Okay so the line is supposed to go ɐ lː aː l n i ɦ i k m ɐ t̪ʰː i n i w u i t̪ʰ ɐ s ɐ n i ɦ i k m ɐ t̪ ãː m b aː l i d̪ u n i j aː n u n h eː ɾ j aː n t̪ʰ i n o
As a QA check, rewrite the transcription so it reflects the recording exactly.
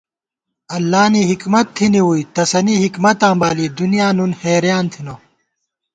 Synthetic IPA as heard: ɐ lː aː n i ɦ i k m ɐ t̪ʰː i n i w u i t̪ ɐ s ɐ n i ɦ i k m ɐ t̪ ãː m b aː l i d̪ u n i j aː n u n h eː ɾ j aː n t̪ʰ i n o